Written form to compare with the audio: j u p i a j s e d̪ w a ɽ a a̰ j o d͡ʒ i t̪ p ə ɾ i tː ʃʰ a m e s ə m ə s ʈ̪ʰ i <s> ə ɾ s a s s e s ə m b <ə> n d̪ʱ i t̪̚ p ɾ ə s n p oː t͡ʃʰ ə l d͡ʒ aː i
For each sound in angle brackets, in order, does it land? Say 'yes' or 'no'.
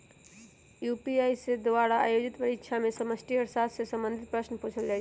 no, yes

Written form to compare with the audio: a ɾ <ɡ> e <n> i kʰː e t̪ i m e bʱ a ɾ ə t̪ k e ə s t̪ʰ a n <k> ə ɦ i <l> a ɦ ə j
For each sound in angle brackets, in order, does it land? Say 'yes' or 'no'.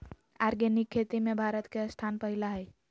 yes, yes, no, yes

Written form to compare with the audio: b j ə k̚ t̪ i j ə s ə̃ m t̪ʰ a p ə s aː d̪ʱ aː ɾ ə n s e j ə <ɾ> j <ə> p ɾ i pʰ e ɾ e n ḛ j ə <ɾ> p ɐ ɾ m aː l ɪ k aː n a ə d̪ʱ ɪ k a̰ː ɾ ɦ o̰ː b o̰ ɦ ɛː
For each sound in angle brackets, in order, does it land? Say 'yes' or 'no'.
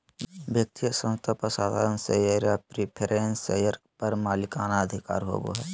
yes, no, yes

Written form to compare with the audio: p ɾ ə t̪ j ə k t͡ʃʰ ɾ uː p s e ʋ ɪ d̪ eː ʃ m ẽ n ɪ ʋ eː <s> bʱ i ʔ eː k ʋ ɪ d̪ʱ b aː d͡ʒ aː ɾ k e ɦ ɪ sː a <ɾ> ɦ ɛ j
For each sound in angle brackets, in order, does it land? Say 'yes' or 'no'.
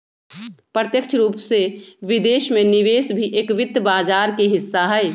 yes, no

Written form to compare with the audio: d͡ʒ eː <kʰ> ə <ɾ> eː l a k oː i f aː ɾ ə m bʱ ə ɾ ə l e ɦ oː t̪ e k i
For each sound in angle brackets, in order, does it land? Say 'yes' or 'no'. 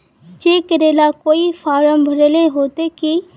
no, yes

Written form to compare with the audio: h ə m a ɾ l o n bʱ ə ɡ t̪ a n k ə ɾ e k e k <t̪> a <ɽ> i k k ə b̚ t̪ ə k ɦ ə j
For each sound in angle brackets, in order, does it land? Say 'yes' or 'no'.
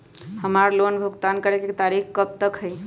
yes, no

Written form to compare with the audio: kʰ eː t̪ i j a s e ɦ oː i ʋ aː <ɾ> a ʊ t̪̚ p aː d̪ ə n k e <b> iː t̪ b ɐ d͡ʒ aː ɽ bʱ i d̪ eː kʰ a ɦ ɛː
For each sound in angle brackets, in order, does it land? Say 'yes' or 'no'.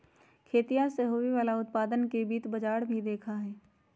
no, yes

